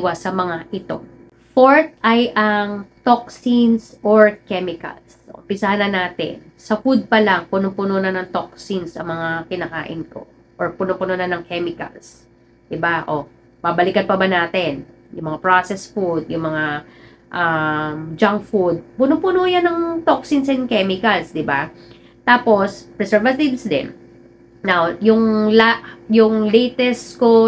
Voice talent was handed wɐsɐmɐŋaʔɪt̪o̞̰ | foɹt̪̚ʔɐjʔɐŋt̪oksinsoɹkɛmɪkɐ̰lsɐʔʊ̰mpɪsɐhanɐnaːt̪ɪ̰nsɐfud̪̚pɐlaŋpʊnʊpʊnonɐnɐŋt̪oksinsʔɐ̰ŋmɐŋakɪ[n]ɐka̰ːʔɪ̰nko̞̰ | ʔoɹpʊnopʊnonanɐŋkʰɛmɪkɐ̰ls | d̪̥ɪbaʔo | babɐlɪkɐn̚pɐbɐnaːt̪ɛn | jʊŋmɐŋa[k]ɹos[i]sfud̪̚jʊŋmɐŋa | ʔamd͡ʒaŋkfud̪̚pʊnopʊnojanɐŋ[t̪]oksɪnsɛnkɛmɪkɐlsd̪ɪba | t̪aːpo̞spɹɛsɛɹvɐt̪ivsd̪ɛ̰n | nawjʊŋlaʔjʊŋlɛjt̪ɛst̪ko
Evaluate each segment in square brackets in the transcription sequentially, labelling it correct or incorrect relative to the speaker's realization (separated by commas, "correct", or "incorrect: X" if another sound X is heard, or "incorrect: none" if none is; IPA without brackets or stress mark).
correct, incorrect: p, incorrect: ɛ, correct